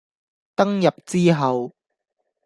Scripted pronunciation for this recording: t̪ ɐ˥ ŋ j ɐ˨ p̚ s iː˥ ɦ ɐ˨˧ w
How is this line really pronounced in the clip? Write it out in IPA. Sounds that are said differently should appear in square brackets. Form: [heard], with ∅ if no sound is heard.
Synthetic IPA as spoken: t̪ ɐ˥ ŋ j ɐ˨ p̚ [t͡s] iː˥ ɦ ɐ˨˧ w